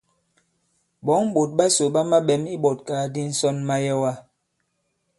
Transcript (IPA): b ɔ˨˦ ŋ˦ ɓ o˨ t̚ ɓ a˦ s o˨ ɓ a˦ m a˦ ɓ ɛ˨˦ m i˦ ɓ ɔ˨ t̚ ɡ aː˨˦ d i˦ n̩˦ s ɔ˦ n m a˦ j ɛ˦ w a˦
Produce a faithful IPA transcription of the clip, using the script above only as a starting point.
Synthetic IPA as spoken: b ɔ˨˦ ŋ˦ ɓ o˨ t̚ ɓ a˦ s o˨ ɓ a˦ m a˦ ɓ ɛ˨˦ m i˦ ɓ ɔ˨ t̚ k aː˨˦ d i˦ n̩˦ s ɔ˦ n m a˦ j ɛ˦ w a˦